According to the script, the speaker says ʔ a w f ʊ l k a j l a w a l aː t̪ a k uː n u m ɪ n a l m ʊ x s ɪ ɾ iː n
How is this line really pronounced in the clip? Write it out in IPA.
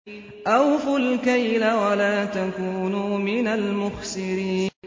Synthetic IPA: ʔ a w f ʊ l k a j l a w a l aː t̪ a k uː n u m ɪ n a l m ʊ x s ɪ ɾ iː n